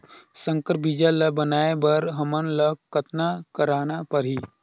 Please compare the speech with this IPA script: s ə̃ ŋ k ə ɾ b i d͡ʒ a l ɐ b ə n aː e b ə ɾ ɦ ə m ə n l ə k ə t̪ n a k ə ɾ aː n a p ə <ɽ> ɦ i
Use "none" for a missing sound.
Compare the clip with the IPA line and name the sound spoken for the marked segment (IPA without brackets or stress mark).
ɾ